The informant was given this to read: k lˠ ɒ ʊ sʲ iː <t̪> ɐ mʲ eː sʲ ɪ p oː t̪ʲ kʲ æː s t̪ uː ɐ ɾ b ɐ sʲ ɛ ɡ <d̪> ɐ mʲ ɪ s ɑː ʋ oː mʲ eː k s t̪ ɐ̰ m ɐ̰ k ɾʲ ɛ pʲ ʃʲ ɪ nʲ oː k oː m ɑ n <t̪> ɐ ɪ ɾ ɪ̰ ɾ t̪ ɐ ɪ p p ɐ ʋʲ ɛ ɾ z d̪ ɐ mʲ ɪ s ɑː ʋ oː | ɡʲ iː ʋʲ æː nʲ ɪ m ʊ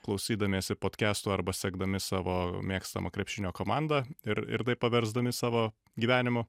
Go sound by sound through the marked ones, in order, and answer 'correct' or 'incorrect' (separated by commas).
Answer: incorrect, correct, incorrect